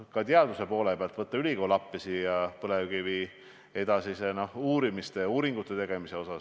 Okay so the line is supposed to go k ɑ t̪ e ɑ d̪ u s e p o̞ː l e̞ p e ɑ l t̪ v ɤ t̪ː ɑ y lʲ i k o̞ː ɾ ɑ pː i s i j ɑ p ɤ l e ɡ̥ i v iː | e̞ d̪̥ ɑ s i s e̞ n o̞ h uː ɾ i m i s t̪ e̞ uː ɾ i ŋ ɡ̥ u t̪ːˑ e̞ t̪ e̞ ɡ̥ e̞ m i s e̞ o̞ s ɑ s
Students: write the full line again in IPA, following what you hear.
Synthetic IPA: k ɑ t̪ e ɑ d̪ u s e p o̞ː l e̞ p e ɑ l t̪ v ɤ t̪ː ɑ y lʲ i k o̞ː l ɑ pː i s i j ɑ p ɤ l e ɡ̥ i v iː | e̞ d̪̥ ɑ s i s e̞ n o̞ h uː ɾ i m i s t̪ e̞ uː ɾ i ŋ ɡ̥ u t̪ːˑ e̞ t̪ e̞ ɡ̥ e̞ m i s e̞ o̞ s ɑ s